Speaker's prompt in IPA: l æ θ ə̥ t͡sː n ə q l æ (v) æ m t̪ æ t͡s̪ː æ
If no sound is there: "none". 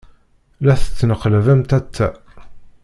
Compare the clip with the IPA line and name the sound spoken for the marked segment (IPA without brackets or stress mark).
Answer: v